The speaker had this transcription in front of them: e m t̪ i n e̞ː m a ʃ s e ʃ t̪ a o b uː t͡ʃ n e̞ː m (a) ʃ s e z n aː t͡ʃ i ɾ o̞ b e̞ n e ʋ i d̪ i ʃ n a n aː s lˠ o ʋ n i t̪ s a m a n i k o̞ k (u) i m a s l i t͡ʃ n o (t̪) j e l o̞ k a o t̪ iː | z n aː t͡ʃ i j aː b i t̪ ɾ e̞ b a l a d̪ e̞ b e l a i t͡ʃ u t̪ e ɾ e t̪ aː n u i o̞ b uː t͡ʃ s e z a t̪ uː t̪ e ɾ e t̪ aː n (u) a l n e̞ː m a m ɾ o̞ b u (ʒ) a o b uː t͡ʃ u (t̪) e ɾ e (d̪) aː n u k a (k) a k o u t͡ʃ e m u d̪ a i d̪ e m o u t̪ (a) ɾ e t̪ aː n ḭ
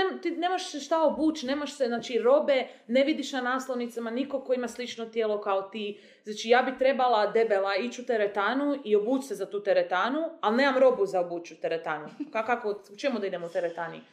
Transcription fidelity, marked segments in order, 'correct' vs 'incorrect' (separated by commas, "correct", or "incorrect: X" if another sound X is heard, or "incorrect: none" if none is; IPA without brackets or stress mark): correct, incorrect: o, correct, correct, incorrect: z, correct, incorrect: t̪, correct, incorrect: e